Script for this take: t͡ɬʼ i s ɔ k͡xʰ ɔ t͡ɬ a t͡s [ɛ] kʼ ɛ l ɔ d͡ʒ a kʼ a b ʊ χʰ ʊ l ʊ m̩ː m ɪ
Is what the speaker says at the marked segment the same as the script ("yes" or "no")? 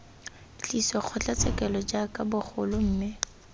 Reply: yes